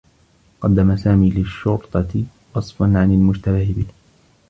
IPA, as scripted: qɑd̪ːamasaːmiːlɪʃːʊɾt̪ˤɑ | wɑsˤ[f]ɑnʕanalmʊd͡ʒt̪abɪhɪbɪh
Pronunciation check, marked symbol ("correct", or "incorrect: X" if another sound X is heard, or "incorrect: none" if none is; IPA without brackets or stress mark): correct